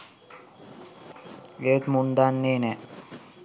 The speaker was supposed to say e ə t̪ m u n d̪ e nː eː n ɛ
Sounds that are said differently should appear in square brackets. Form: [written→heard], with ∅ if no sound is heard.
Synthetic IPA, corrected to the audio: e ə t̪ m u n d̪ [e→a] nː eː n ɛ